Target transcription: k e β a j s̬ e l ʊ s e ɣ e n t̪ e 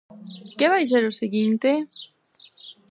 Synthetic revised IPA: k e β a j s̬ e ɾ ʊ s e ɣ i n t̪ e